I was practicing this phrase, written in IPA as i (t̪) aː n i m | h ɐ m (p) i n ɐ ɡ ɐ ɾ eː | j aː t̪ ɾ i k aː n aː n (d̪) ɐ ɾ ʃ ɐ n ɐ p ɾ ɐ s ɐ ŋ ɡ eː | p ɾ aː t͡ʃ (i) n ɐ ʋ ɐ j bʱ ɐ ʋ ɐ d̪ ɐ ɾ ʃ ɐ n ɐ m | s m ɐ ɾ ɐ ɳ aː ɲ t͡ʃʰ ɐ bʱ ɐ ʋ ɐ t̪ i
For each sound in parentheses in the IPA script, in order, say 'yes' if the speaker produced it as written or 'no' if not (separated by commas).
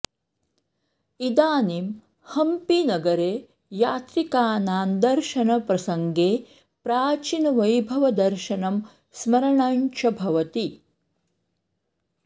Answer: no, yes, yes, yes